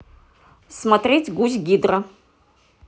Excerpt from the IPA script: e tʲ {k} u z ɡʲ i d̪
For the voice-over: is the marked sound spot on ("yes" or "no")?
no